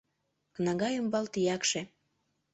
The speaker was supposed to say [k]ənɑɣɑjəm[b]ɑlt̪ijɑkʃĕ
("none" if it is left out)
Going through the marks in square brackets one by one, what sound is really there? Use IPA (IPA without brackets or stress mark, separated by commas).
k, b